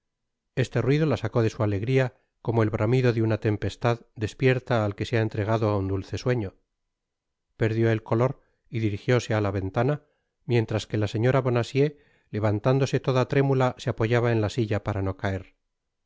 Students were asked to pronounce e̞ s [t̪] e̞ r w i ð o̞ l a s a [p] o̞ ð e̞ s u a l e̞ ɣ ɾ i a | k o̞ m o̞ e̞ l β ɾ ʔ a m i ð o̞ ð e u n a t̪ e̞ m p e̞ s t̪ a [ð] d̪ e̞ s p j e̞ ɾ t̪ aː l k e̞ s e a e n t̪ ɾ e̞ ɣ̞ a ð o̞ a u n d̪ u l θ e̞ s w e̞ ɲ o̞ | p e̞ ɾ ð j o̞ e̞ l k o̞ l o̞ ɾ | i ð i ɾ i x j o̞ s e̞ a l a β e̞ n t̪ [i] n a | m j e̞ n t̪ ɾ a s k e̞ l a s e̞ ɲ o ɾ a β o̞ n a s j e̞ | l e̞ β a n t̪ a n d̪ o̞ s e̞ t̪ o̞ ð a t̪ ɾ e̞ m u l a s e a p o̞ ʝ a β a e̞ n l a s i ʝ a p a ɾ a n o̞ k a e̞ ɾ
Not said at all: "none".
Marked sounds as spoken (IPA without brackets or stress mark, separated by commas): t̪, k, ð, a